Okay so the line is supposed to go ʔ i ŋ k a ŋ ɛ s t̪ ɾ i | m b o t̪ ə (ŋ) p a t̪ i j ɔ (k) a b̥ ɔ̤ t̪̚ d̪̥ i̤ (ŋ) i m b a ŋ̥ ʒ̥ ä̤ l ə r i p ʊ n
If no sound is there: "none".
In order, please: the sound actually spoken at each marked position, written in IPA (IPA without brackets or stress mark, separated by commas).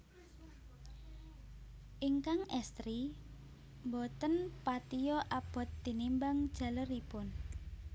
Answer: n, ʔ, n